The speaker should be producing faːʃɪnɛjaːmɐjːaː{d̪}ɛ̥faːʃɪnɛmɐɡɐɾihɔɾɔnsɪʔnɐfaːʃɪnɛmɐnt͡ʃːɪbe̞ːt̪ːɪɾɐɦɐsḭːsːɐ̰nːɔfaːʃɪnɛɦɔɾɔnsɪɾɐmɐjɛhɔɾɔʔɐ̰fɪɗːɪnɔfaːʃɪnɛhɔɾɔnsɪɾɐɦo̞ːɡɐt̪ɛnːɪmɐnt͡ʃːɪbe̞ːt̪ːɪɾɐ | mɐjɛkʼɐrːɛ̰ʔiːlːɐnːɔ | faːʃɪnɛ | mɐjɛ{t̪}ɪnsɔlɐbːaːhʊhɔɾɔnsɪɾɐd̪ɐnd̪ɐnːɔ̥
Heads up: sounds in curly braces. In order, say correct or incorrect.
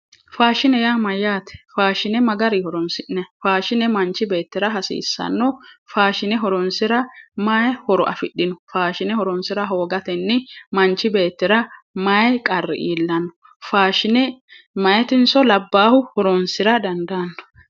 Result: incorrect: t̪, correct

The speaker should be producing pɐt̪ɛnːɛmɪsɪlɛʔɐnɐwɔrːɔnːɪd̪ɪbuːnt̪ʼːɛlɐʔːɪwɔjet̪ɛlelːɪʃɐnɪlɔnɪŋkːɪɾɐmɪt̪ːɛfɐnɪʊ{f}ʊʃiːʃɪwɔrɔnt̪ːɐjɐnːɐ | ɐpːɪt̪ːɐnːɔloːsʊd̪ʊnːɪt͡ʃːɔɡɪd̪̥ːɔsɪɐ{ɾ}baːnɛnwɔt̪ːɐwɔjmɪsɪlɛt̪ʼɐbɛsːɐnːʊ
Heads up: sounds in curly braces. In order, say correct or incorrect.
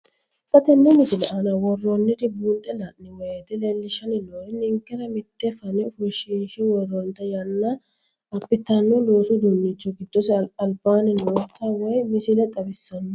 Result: correct, incorrect: l

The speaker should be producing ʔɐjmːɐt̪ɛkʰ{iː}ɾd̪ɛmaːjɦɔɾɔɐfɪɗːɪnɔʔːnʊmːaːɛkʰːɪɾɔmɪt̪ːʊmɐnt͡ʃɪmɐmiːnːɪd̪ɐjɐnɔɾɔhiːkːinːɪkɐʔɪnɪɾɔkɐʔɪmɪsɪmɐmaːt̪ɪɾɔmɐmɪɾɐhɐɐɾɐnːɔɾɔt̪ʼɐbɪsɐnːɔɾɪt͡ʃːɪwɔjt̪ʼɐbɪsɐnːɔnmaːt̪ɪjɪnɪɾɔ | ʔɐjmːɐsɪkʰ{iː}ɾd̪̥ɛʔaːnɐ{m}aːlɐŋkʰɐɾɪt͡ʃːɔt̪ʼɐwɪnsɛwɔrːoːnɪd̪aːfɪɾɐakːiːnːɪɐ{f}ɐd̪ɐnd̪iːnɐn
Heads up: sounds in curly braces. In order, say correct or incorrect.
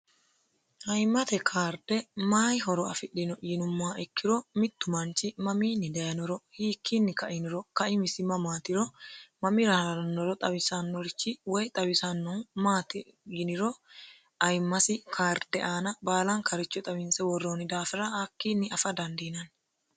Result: incorrect: aː, incorrect: aː, incorrect: b, correct

